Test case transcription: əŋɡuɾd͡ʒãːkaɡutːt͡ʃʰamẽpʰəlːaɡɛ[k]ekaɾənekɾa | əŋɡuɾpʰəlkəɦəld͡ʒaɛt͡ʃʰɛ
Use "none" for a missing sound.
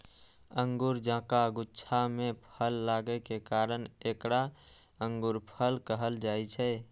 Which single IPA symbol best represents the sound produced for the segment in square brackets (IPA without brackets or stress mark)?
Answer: k